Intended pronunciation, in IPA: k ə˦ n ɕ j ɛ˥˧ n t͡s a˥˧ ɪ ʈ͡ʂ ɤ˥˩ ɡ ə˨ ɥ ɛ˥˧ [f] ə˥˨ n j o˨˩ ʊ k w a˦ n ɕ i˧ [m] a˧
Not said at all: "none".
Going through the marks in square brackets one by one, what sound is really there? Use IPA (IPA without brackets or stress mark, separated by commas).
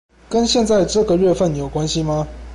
f, m